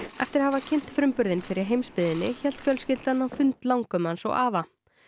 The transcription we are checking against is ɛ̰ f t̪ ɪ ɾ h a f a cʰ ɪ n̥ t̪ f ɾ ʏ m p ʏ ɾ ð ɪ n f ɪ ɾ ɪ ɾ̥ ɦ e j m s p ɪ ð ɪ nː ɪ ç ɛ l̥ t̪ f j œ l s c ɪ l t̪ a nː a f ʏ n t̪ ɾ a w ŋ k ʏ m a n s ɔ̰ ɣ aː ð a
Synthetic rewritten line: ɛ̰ f t̪ ɪ ɾ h a v a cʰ ɪ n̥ t̪ f ɾ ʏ m p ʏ ɾ ð ɪ n f ɪ ɾ ɪ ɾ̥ ɦ e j m s p ɪ ð ɪ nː ɪ ç ɛ l̥ t̪ f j œ l s c ɪ l t̪ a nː a f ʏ n t̪ l a w ŋ k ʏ m a n s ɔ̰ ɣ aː v a